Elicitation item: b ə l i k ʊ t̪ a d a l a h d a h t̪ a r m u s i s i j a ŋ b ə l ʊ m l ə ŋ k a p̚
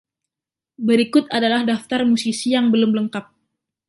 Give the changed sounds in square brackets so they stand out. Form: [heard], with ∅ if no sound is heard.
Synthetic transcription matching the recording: b ə [ɾ] i k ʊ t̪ a d a l a h d a [f] t̪ a r m u s i s i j a ŋ b ə l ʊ m l ə ŋ k a p̚